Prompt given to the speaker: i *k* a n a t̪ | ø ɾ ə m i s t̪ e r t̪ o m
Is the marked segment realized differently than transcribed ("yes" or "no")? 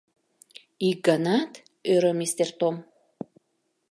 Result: yes